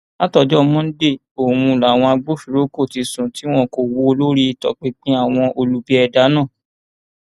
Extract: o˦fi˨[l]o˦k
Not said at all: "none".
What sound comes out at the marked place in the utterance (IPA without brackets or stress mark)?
ɾ